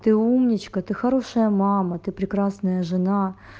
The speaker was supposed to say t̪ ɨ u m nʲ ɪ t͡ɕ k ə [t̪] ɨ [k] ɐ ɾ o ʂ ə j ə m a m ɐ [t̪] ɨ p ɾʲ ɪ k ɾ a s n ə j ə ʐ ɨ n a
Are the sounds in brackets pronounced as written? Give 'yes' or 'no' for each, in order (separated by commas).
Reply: yes, no, yes